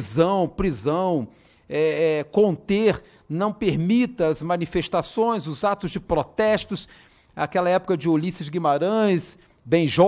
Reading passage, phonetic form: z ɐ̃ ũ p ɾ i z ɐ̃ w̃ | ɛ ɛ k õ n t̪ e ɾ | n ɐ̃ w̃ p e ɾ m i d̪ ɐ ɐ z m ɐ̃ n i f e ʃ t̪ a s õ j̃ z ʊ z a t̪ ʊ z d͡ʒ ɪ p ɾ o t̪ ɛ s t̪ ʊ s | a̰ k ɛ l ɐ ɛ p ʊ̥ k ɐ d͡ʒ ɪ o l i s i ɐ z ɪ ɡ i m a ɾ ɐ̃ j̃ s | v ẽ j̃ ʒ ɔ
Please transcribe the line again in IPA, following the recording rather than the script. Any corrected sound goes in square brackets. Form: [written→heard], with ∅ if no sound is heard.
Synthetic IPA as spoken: z ɐ̃ [ũ→w̃] p ɾ i z ɐ̃ w̃ | ɛ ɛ k õ n t̪ e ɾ | n ɐ̃ w̃ p e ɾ m i [d̪→t̪] ɐ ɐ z m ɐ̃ n i f e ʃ t̪ a s õ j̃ z ʊ z a t̪ ʊ z d͡ʒ ɪ p ɾ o t̪ ɛ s t̪ ʊ s | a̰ k ɛ l ɐ ɛ p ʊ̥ k ɐ d͡ʒ ɪ o l i s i ɐ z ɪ ɡ i m a ɾ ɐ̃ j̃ s | [v→b] ẽ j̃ ʒ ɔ